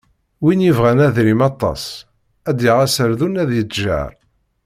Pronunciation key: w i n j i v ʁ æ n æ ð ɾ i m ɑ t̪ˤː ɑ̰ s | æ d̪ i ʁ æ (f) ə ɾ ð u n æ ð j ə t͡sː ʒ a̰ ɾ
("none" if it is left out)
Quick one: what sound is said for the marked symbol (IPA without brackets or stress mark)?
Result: s